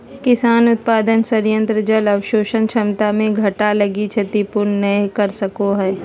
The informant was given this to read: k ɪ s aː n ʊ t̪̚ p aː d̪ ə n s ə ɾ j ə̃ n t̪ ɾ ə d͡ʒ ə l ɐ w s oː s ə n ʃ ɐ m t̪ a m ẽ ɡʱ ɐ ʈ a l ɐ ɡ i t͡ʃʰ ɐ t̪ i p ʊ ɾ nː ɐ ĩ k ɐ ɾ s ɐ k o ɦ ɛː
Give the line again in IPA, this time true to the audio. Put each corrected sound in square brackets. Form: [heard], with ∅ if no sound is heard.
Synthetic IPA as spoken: k ɪ s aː n ʊ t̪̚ p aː d̪ ə n s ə ɾ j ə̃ n t̪ ɾ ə d͡ʒ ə l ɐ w [ʃ] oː [ʃ] ə n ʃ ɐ m t̪ a m ẽ ɡʱ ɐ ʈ a l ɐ ɡ i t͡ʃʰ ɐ t̪ i p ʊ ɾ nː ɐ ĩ k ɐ ɾ s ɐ k o ɦ ɛː